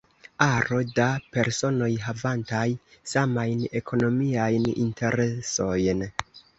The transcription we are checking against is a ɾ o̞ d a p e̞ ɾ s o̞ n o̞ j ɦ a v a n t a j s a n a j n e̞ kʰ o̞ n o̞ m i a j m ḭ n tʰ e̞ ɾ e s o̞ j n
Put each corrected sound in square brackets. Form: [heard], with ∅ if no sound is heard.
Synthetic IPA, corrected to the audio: a ɾ o̞ d a p e̞ ɾ s o̞ n o̞ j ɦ a v a n t a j s a [m] a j n e̞ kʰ o̞ n o̞ m i a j [n] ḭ n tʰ e̞ ɾ e s o̞ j n

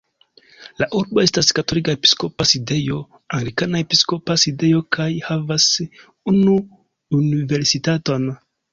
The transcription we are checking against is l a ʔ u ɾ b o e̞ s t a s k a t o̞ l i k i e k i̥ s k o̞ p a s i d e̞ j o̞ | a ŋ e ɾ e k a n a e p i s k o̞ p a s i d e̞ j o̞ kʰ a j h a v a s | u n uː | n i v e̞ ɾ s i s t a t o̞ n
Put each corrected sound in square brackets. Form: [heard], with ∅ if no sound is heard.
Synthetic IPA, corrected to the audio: l a ʔ u ɾ b o e̞ s t a s k a t o̞ l i k [a] e [p] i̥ s k o̞ p a s i d e̞ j o̞ | a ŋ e ɾ [i] k a n a e p i s k o̞ p a s i d e̞ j o̞ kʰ a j h a v a s | u n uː | n i v e̞ ɾ s i [∅] t a t o̞ n

